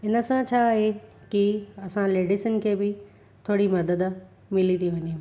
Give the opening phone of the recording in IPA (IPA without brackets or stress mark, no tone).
ɪ